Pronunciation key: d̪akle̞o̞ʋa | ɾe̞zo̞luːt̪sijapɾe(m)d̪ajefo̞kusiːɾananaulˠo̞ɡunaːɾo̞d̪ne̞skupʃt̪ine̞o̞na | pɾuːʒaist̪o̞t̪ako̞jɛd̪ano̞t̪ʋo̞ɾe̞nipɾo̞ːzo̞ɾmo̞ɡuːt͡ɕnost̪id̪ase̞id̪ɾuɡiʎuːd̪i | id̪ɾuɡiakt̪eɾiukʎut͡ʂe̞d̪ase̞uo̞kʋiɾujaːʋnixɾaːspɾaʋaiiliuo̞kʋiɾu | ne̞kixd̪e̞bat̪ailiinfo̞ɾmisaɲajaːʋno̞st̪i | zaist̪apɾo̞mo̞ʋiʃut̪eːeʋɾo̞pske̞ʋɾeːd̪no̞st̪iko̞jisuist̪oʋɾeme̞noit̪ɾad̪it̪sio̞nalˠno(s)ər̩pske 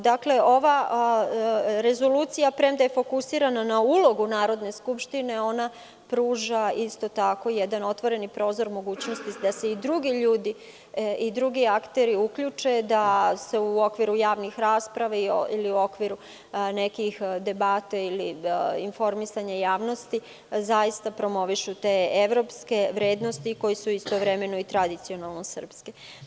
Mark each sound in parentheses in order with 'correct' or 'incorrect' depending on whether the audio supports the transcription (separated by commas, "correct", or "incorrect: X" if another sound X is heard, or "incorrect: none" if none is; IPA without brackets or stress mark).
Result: correct, correct